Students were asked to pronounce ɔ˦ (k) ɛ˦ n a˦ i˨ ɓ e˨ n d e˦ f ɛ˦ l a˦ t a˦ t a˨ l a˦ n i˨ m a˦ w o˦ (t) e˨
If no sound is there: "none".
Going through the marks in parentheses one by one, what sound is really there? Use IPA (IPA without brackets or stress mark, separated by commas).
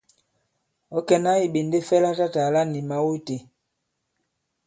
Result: k, t